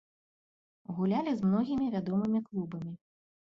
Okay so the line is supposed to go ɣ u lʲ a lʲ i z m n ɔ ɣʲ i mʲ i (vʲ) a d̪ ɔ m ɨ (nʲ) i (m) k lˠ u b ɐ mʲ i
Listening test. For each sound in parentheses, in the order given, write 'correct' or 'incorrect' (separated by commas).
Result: correct, incorrect, incorrect